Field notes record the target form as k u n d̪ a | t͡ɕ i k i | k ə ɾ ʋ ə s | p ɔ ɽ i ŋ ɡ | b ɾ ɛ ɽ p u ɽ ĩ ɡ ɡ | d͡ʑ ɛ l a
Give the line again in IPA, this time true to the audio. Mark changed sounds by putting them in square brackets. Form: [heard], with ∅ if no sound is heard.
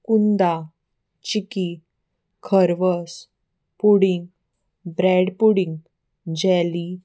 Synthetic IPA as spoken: k u n d̪ a | t͡ɕ i k i | [kʰ] ə ɾ ʋ ə s | p [u] ɽ i ŋ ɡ | b ɾ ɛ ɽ p u ɽ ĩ [ŋ] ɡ | d͡ʑ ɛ l [i]